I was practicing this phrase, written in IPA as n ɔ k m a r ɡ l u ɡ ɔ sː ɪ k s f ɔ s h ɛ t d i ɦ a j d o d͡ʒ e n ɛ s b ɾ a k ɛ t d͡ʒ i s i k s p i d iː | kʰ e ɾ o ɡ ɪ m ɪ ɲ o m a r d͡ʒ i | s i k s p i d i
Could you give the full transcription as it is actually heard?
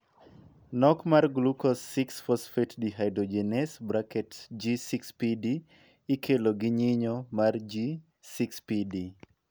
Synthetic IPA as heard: n ɔ k m a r ɡ l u k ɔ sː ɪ k s f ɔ s f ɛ t d i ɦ a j d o d͡ʒ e n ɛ s b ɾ a k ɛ t d͡ʒ i s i k s p i d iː | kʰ e l o ɡ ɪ ɲ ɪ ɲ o m a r d͡ʒ i | s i k s p i d i